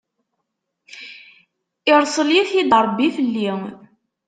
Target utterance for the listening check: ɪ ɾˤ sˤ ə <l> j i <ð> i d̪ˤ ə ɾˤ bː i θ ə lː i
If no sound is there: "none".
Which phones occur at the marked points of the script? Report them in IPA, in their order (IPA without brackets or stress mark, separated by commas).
l, θ